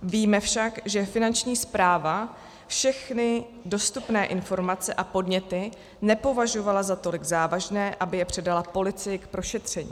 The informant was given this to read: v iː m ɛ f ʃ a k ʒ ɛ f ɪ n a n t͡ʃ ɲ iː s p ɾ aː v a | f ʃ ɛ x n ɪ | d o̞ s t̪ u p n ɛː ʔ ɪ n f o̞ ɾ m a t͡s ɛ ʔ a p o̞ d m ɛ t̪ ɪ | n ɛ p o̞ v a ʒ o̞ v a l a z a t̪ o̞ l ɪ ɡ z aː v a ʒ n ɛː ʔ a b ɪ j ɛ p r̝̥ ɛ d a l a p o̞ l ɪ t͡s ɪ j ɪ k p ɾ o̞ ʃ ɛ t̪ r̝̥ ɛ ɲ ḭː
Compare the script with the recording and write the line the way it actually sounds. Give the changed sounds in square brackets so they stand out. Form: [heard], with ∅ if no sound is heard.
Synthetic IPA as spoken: v iː m ɛ f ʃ a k ʒ ɛ f ɪ n a n t͡ʃ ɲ iː s p ɾ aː v a | f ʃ ɛ x n ɪ | d o̞ s t̪ u p n ɛː ʔ ɪ n f o̞ ɾ m a t͡s ɛ ʔ a p o̞ d [ɲ] ɛ t̪ ɪ | n ɛ p o̞ v a ʒ o̞ v a l a z a t̪ o̞ l ɪ ɡ z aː v a ʒ n ɛː ʔ a b ɪ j ɛ p r̝̥ ɛ d a l a p o̞ l ɪ t͡s ɪ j ɪ k p ɾ o̞ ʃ ɛ t̪ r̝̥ ɛ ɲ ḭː